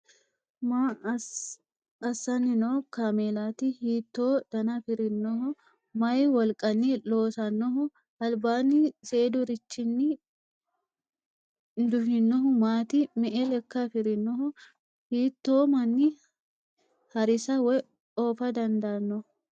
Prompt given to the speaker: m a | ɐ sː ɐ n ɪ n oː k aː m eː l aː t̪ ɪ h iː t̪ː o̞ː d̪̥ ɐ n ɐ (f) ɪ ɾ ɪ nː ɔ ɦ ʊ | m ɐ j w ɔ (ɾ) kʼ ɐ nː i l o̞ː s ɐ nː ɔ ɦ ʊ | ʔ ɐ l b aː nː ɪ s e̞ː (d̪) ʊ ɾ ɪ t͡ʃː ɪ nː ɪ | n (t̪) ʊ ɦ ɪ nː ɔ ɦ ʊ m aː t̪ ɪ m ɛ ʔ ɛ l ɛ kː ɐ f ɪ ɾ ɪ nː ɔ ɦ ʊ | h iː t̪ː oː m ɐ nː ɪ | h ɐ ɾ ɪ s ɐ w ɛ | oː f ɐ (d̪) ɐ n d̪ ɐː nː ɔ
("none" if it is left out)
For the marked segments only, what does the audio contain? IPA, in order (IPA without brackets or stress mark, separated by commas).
f, l, d̪, d̪, d̪